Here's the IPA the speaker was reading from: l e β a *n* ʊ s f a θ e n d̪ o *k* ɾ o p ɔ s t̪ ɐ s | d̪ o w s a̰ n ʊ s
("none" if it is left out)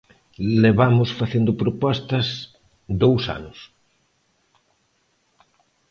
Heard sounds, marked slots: m, p

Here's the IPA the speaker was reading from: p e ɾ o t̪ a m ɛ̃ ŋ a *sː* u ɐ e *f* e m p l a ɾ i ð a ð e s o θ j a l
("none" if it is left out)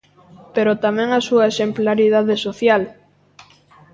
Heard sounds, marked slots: s, s

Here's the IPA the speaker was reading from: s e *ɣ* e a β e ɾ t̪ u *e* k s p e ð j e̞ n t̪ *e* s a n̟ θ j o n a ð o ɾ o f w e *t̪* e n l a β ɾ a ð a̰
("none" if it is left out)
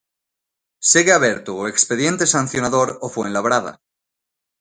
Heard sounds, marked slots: ɣ, e, e, none

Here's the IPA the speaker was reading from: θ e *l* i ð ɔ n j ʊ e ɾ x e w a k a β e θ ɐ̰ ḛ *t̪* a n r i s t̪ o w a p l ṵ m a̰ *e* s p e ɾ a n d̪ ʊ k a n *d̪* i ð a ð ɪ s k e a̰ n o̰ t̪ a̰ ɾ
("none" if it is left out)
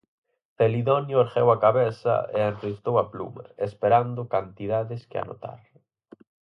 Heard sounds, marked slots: l, none, e, t̪

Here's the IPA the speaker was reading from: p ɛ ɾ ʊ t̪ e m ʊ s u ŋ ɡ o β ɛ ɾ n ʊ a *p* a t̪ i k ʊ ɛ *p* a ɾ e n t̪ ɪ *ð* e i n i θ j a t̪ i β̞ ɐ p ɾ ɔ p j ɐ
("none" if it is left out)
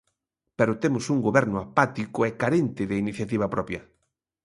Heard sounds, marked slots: p, k, ð

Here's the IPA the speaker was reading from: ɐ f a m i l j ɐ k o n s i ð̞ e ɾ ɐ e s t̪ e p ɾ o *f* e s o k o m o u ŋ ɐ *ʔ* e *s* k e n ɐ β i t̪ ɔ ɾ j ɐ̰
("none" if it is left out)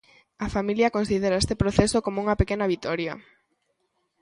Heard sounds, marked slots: θ, p, none

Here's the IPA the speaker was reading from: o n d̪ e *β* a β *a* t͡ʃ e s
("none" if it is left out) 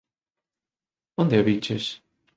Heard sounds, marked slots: none, i

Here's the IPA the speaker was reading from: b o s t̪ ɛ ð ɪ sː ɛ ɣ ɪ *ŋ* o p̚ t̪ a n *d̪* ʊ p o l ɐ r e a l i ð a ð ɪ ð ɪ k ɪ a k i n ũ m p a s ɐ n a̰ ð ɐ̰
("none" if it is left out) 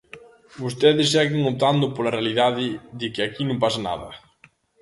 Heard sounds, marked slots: ŋ, d̪

